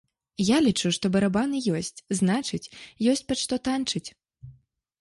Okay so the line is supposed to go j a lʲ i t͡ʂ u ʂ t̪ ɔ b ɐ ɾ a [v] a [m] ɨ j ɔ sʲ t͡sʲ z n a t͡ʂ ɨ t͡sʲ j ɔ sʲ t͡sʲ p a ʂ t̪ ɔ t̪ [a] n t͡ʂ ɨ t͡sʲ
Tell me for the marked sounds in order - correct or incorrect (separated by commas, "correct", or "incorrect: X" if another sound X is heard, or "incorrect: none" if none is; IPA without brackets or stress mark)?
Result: incorrect: b, incorrect: n, correct